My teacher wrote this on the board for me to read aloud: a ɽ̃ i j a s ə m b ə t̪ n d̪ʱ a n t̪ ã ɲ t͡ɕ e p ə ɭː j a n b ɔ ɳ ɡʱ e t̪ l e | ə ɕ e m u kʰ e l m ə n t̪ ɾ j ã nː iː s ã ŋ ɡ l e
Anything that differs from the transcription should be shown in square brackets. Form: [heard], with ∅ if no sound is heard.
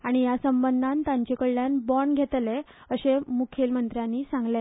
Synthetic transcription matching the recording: a ɽ̃ i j a s ə m b ə [∅] n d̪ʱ a n t̪ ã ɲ t͡ɕ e [k] ə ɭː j a n b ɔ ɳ ɡʱ e t̪ l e | ə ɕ e m u kʰ e l m ə n t̪ ɾ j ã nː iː s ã ŋ ɡ l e